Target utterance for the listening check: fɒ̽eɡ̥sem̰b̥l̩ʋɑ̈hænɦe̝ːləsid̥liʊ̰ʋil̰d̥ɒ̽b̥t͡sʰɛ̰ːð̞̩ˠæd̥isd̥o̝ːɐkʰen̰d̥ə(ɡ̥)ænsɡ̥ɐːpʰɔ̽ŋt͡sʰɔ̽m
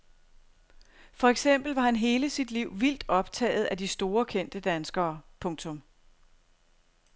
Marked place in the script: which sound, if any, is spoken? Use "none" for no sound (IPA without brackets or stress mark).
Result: d̥